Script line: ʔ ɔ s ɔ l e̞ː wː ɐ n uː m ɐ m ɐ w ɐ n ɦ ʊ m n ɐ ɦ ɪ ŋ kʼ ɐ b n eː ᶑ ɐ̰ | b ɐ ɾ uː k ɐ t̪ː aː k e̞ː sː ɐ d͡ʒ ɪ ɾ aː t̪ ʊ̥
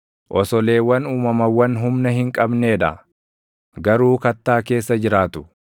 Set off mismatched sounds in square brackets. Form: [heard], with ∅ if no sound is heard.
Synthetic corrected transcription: ʔ ɔ s ɔ l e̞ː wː ɐ n uː m ɐ m ɐ w ɐ n ɦ ʊ m n ɐ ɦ ɪ ŋ kʼ ɐ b n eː ᶑ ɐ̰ | [ɡ] ɐ ɾ uː k ɐ t̪ː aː k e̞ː sː ɐ d͡ʒ ɪ ɾ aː t̪ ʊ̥